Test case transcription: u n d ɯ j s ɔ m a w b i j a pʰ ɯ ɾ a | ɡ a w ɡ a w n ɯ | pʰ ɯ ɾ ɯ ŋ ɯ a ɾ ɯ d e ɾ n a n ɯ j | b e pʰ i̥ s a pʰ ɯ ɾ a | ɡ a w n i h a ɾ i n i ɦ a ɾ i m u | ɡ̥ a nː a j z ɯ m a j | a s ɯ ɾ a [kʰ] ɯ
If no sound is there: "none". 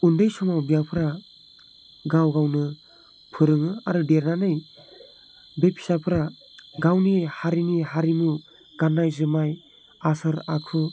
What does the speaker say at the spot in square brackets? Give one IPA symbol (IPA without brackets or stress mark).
kʰ